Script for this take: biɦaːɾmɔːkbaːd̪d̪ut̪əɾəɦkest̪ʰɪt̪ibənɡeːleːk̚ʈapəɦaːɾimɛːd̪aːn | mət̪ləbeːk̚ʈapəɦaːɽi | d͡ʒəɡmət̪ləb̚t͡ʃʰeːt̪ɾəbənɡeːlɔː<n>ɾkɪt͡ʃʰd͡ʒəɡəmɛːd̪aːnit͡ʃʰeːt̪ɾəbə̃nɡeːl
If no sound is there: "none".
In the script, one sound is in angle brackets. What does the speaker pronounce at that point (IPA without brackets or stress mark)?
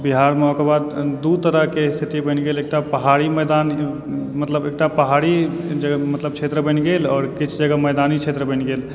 none